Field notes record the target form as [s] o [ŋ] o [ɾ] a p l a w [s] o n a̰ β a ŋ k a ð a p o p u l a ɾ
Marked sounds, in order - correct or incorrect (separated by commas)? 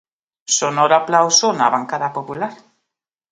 correct, incorrect, correct, correct